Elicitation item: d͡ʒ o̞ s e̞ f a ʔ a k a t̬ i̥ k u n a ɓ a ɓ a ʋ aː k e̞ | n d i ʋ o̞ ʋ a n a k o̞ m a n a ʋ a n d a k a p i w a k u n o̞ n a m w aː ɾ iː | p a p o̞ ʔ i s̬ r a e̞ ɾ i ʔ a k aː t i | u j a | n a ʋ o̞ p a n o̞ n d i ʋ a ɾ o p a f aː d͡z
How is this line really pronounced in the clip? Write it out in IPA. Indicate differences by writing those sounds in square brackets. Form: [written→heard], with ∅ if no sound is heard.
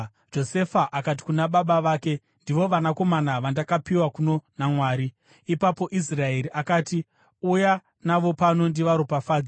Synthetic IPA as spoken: d͡ʒ o̞ s e̞ f a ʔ a k a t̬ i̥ k u n a ɓ a ɓ a ʋ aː k e̞ | n d i ʋ o̞ ʋ a n a k o̞ m a n a ʋ a n d a k a p i w a k u n o̞ n a m w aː ɾ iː | p a p o̞ ʔ i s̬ r a e̞ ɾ i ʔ a k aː t i | u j a | n a ʋ o̞ p a n o̞ n d i ʋ a ɾ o p a f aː d͡z